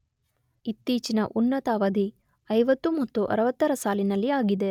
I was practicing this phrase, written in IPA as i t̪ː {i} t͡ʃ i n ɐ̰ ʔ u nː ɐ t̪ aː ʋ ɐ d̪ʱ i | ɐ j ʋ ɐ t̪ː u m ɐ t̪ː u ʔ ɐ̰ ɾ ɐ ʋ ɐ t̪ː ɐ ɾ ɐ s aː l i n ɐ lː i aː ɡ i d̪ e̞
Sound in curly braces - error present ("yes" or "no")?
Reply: yes